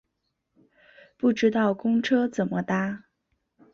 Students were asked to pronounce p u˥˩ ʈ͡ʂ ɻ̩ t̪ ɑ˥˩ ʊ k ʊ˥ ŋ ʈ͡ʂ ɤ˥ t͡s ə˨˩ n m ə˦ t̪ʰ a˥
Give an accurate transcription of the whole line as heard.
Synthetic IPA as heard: p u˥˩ ʈ͡ʂ ɻ̩ t̪ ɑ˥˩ ʊ k ʊ˥ ŋ ʈ͡ʂʰ ɤ˥ t͡s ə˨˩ n m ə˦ t̪ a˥